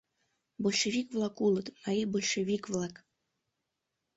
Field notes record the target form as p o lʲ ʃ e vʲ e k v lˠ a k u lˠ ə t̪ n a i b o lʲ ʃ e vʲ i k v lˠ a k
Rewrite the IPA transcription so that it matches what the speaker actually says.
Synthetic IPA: b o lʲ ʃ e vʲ i k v lˠ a k u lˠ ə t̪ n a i b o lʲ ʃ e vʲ i k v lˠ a k